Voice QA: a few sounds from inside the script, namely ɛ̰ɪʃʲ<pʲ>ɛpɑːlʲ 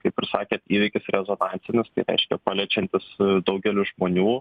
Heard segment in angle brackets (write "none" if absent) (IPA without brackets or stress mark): kʲ